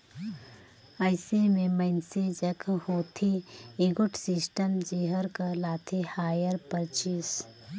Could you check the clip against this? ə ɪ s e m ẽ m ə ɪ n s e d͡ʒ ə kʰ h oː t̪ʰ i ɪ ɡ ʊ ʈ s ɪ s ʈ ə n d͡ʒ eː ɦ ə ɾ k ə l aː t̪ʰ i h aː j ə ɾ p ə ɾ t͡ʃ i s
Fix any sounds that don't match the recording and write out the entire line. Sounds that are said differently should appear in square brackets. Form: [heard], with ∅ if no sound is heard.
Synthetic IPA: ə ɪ s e m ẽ m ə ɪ n s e d͡ʒ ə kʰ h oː t̪ʰ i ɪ ɡ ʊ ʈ s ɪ s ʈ ə [m] d͡ʒ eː ɦ ə ɾ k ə l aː t̪ʰ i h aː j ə ɾ p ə ɾ t͡ʃ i s